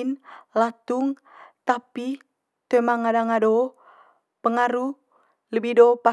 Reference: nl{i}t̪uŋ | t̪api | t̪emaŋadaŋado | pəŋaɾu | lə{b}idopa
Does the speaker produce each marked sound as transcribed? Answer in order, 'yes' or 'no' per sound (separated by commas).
no, yes